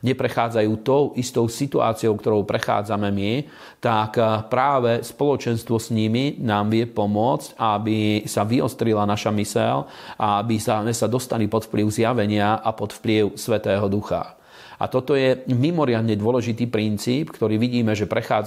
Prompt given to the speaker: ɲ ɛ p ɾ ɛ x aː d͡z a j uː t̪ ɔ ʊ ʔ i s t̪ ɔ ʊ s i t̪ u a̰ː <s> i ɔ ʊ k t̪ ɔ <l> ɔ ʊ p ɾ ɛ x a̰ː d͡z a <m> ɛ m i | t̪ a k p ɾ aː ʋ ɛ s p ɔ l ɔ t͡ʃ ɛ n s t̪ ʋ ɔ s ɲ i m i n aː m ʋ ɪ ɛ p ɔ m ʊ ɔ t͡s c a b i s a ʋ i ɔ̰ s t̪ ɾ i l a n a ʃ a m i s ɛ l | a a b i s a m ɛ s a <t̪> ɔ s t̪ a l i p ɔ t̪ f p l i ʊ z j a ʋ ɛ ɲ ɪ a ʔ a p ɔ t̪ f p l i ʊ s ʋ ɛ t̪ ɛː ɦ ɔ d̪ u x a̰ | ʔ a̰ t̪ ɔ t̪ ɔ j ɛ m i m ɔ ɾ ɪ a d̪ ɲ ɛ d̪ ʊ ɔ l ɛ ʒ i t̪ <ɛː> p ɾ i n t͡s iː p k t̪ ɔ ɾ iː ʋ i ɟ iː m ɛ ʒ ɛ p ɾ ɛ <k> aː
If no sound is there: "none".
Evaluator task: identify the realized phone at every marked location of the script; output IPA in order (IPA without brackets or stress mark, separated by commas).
t͡s, ɾ, m, d̪, iː, x